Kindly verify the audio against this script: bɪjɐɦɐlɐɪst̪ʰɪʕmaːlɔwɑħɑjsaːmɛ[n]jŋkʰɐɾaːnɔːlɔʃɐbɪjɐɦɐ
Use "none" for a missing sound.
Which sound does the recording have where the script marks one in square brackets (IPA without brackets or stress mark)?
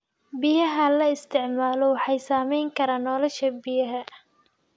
none